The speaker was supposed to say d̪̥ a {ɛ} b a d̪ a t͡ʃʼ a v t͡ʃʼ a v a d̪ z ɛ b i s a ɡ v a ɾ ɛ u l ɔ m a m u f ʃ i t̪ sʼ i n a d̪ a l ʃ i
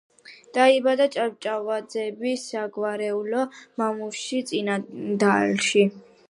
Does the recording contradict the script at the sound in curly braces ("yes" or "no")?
yes